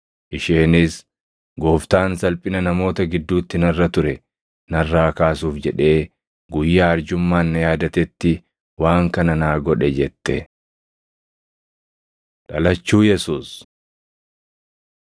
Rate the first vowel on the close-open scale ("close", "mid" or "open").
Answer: close